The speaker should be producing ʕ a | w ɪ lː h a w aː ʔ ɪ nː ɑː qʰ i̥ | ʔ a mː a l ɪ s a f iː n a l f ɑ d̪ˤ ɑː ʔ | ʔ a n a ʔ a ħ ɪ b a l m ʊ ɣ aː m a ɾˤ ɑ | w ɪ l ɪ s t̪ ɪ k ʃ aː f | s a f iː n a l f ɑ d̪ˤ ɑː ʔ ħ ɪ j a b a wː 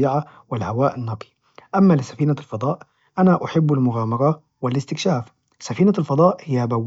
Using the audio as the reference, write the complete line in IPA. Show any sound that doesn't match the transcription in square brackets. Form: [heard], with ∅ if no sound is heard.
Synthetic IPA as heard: ʕ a | w ɪ [l] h a w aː ʔ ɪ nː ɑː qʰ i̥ | ʔ a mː a l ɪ s a f iː n a l f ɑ d̪ˤ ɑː ʔ | ʔ a n a ʔ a ħ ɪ [bː] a l m ʊ ɣ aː m [ɑ] ɾˤ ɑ | w ɪ l ɪ s t̪ ɪ k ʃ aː f | s a f iː n a l f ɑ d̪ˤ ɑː ʔ [h] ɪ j a b a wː